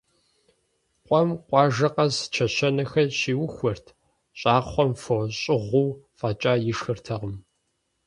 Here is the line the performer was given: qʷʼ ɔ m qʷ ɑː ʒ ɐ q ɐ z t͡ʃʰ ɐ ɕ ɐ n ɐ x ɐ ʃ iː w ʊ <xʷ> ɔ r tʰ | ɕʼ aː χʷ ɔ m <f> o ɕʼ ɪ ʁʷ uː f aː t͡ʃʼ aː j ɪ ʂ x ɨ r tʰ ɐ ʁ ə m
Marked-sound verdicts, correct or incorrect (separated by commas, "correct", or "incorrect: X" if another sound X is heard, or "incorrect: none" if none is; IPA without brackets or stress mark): correct, correct